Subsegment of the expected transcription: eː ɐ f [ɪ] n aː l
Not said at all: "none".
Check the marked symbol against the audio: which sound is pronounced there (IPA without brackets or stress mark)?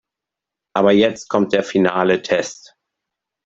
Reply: i